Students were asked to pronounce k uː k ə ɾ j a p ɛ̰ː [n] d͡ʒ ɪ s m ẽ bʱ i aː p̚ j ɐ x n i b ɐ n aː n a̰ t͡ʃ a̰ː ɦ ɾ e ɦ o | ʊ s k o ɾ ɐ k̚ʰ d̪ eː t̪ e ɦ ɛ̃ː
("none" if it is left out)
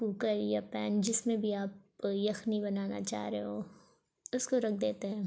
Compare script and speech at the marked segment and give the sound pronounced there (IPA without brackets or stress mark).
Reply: n